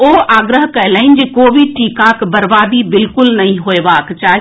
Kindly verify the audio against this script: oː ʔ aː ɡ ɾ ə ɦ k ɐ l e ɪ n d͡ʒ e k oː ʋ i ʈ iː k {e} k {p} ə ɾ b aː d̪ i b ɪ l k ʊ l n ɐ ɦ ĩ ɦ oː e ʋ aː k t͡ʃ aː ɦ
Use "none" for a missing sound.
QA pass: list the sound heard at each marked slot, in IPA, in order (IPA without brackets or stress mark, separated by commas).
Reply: a, b